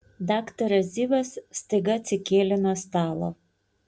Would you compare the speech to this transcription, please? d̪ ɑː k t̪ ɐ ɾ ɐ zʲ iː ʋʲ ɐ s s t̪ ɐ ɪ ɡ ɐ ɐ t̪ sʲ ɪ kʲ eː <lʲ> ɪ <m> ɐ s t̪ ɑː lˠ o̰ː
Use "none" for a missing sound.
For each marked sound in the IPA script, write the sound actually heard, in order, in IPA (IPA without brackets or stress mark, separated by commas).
lʲ, n